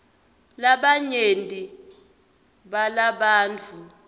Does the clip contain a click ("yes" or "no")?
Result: no